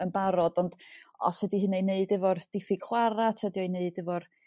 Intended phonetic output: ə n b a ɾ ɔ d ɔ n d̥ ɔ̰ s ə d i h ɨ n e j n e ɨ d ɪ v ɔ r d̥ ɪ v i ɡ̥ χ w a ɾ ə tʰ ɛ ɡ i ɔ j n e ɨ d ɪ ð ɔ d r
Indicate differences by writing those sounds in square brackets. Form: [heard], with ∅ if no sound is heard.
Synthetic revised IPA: ə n b a ɾ ɔ d ɔ n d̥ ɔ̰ s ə d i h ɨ n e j n e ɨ d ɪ v ɔ r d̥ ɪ [f] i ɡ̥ χ w a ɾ [a] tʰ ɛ [d] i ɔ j n e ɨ d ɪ [v] ɔ [∅] r